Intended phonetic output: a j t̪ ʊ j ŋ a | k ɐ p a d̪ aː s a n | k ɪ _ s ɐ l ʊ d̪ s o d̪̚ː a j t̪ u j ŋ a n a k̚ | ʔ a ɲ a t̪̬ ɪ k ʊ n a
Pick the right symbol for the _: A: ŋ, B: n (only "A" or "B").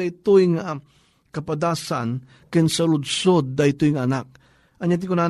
B